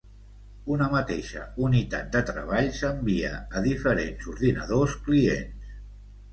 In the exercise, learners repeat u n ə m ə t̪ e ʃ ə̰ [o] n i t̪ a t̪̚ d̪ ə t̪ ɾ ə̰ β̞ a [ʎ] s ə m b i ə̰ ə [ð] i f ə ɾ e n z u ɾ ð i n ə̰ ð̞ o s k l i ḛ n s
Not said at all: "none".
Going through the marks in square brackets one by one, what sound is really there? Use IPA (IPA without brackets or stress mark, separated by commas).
u, ʎ, ð